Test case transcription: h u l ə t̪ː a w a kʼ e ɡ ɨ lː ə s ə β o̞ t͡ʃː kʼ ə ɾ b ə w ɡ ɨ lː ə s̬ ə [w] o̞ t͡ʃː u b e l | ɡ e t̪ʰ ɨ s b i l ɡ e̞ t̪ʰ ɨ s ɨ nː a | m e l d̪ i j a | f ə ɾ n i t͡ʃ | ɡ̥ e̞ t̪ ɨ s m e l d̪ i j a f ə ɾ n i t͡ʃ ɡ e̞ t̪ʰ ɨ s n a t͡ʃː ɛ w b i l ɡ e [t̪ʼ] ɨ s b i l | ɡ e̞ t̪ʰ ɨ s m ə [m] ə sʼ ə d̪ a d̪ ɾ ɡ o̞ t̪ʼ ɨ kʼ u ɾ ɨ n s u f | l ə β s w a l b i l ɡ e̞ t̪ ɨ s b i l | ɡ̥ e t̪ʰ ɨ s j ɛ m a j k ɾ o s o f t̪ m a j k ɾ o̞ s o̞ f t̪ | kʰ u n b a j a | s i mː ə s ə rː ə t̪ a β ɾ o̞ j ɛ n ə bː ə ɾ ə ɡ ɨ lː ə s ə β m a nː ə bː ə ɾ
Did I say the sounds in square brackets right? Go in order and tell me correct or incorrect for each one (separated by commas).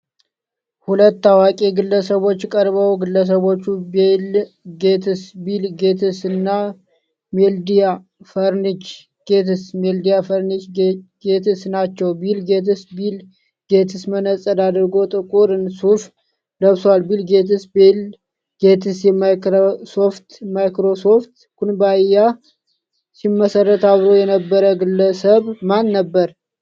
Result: incorrect, incorrect, incorrect